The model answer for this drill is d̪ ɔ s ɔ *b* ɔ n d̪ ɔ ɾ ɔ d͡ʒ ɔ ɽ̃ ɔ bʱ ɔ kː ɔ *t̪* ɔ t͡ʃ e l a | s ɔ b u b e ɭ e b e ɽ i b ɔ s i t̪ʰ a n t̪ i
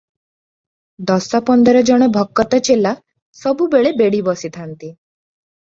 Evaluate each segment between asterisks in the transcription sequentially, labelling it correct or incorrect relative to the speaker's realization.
incorrect, correct

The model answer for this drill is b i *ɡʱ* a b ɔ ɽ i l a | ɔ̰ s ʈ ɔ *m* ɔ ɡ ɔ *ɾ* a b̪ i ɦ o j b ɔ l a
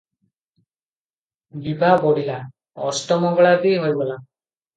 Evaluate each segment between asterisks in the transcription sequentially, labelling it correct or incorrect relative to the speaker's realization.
incorrect, correct, incorrect

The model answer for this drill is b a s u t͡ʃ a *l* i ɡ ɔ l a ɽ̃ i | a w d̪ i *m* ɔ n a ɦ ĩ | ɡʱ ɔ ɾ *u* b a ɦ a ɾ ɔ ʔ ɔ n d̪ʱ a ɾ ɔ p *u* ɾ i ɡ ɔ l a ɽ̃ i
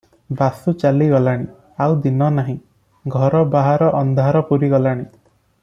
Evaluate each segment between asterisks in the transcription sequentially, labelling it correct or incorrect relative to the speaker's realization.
correct, incorrect, incorrect, correct

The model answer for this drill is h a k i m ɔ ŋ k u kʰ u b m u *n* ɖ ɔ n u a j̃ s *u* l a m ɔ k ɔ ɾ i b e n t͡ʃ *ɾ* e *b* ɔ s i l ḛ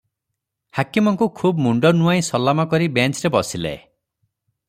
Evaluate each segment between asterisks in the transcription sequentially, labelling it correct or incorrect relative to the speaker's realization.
incorrect, incorrect, correct, correct

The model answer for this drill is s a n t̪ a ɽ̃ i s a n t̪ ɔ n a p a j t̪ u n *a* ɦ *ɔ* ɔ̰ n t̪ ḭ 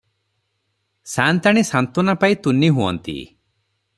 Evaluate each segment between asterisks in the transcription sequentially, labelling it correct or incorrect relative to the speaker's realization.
incorrect, incorrect

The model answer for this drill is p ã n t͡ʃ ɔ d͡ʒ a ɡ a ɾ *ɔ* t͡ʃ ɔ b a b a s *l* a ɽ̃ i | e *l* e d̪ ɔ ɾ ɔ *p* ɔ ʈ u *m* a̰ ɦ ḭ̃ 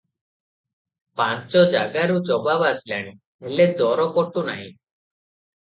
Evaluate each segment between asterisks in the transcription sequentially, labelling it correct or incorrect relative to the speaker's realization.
incorrect, correct, correct, incorrect, incorrect

